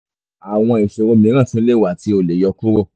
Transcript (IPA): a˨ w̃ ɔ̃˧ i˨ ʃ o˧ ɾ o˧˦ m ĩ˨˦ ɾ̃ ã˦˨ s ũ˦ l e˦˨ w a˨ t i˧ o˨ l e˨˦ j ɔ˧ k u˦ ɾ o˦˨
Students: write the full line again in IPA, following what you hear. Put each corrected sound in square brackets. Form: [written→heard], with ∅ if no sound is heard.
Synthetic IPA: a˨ w̃ ɔ̃˧ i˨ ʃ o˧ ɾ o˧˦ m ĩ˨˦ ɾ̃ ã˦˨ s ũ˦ l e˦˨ w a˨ t i˧ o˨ l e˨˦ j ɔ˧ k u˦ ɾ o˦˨